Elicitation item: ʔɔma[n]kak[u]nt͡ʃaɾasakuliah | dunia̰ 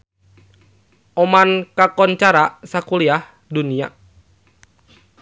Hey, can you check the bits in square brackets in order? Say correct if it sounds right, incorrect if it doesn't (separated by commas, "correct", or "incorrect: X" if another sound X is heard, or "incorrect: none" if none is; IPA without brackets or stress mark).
correct, incorrect: ɔ